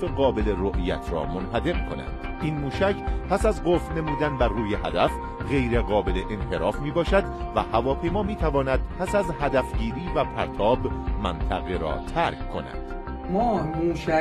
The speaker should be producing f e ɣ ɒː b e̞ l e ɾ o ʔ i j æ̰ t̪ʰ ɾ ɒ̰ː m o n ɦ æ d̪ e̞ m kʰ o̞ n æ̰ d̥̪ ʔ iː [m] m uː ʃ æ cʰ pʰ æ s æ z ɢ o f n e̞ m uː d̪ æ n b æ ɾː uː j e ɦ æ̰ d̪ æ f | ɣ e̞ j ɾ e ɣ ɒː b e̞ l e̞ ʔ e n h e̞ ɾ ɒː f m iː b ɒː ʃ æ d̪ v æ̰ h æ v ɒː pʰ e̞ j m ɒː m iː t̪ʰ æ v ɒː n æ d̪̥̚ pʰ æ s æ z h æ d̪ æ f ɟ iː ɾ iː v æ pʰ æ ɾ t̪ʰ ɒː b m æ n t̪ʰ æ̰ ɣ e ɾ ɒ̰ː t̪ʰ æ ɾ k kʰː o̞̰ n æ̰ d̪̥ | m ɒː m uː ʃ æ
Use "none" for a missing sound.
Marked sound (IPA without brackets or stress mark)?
n